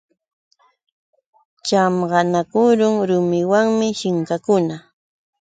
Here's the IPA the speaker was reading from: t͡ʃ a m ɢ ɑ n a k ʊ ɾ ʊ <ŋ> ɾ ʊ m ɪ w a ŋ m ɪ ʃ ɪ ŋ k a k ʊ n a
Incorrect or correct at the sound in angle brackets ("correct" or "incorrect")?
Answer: correct